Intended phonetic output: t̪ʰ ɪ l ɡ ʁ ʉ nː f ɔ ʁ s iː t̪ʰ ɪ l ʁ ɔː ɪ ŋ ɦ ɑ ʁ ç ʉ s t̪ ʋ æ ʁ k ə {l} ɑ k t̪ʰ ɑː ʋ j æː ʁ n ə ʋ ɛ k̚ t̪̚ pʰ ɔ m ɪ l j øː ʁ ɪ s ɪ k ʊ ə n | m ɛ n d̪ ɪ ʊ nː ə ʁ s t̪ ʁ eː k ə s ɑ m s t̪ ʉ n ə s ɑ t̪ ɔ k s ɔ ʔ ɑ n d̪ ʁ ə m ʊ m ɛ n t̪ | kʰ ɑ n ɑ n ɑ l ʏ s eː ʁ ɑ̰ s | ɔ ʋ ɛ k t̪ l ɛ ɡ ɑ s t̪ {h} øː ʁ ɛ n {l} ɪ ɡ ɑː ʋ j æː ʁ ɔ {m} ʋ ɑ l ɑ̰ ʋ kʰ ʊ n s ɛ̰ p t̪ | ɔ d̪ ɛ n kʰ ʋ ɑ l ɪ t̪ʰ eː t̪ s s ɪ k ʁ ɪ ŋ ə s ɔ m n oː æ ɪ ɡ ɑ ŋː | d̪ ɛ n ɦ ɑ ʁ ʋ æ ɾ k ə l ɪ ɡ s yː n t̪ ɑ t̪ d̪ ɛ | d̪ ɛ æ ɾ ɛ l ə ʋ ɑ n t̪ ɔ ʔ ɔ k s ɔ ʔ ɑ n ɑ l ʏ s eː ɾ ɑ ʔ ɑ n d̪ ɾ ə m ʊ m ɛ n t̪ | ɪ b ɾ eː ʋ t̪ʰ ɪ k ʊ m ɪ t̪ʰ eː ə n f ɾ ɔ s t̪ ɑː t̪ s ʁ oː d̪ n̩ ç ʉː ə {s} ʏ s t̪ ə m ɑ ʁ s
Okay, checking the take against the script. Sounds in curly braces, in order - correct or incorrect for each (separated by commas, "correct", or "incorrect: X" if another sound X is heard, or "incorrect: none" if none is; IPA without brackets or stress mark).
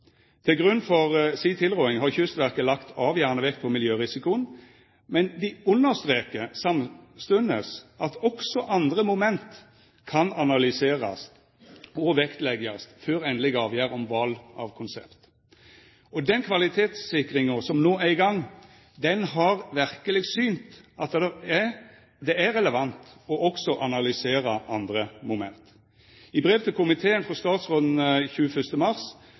correct, incorrect: f, correct, correct, incorrect: f